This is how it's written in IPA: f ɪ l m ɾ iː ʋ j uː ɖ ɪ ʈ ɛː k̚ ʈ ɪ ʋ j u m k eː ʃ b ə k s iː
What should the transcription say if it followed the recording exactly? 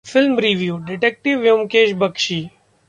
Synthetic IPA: f ɪ l m ɾ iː ʋ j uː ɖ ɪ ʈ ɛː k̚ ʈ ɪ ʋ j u m k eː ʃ b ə k ʃ iː